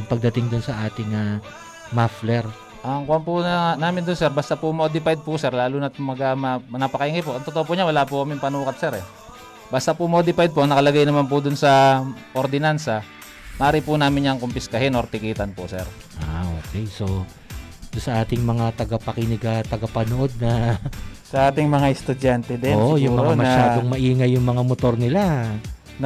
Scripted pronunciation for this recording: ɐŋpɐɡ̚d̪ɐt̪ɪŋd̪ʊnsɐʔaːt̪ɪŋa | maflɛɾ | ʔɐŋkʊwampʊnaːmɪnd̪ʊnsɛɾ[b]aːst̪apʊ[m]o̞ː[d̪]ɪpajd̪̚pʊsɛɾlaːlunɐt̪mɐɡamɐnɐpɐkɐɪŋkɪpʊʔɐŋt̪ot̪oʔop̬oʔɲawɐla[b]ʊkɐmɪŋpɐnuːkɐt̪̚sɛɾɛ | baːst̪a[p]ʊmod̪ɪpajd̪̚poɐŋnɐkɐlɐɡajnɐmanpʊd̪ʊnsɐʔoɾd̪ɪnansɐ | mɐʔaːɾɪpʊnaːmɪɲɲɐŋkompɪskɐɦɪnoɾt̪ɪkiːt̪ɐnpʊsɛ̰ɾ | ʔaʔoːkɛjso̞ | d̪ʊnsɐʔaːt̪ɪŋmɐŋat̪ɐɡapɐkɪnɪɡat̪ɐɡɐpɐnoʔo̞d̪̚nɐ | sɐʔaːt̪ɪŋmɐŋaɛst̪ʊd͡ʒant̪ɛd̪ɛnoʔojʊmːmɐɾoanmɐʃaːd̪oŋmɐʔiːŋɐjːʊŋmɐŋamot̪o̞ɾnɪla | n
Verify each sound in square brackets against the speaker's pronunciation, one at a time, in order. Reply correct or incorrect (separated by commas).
correct, correct, correct, incorrect, correct